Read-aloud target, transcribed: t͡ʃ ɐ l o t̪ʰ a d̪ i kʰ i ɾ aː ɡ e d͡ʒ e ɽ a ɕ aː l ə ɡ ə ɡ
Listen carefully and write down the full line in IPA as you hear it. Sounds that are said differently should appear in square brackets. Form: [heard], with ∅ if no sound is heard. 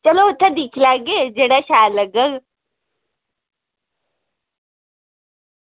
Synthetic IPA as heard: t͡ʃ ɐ l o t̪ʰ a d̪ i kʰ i [l] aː ɡ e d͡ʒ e ɽ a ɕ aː l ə ɡ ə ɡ